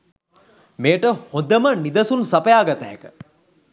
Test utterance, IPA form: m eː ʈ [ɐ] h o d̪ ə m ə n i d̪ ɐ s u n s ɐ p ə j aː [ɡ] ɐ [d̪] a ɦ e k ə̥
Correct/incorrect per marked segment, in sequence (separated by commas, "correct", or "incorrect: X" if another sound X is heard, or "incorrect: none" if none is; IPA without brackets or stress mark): incorrect: ə, correct, incorrect: t̪